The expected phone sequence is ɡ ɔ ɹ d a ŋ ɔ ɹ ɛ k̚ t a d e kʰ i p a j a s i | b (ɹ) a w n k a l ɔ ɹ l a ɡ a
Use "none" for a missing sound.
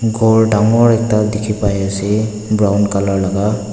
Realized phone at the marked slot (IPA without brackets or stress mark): ɹ